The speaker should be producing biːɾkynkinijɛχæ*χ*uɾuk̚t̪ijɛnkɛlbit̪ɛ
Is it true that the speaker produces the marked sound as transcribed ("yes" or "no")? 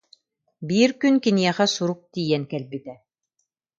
no